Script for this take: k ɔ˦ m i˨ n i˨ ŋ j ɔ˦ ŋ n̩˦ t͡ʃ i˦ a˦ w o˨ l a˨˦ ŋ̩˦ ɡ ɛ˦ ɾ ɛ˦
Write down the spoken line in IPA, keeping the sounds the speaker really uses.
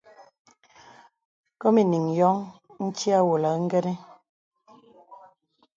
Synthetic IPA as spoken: k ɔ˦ m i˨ n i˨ ŋ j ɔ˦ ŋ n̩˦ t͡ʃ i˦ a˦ w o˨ l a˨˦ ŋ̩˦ ɡ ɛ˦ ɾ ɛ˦